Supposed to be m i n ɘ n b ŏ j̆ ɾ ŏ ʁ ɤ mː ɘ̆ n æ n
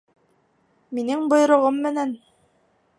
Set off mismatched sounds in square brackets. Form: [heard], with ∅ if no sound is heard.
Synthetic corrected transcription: m i n ɘ [ŋ] b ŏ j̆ ɾ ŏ ʁ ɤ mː ɘ̆ n æ n